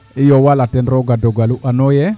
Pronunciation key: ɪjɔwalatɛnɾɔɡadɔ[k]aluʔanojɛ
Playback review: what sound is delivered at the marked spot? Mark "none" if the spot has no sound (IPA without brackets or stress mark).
ɡ